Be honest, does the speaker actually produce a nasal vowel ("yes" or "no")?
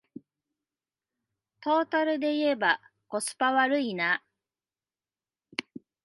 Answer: no